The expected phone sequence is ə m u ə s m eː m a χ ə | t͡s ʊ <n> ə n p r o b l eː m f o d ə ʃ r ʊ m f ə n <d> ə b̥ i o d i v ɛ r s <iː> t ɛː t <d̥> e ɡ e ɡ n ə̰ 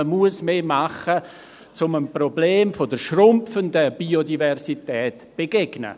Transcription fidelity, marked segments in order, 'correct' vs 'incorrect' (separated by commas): incorrect, correct, incorrect, incorrect